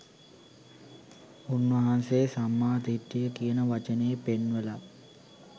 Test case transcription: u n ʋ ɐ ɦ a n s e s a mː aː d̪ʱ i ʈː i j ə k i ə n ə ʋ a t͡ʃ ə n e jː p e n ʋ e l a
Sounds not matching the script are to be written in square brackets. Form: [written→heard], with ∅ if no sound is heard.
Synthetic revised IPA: u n ʋ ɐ ɦ a n s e s a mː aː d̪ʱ i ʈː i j ə k i ə n ə ʋ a t͡ʃ ə n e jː p e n ʋ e l a